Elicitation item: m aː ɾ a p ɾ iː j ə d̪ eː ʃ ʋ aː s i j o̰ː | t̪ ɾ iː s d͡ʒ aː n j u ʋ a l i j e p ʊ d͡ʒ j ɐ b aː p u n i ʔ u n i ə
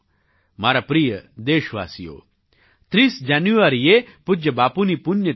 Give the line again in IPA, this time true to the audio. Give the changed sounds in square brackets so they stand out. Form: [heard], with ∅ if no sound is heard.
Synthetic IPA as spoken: m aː ɾ a p ɾ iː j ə d̪ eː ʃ ʋ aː s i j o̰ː | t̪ ɾ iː s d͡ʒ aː n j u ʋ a [ɾ] i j e p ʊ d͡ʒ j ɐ b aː p u n i [p] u n [j] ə